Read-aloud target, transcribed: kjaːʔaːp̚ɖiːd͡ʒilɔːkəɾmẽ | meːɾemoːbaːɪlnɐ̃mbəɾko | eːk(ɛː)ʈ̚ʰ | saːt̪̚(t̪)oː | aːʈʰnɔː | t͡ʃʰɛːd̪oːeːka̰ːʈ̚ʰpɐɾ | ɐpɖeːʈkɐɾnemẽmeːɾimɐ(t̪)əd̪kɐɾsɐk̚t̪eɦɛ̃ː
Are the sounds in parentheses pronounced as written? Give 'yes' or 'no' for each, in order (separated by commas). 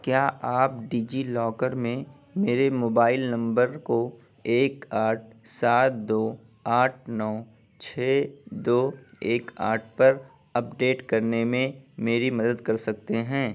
no, no, no